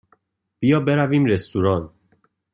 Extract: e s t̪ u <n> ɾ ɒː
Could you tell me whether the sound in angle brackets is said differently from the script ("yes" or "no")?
yes